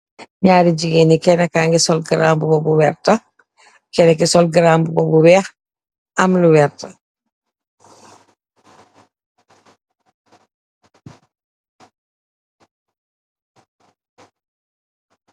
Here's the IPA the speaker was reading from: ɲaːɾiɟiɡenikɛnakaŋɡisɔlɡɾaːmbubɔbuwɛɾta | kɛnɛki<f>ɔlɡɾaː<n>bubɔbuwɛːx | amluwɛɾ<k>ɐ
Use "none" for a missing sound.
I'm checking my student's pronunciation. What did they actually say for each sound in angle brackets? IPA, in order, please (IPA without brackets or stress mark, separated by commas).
s, m, t